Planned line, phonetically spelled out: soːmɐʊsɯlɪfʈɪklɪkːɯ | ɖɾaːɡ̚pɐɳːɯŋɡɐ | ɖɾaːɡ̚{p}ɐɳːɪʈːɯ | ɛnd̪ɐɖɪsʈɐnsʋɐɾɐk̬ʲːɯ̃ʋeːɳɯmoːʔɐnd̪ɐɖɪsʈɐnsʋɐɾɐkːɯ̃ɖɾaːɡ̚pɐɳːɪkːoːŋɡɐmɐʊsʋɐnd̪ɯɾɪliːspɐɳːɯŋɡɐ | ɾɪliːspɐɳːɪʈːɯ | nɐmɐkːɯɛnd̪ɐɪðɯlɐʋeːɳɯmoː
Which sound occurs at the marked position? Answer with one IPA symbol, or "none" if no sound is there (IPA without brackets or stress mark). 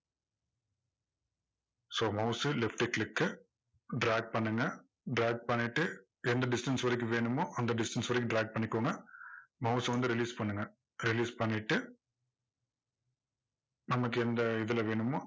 p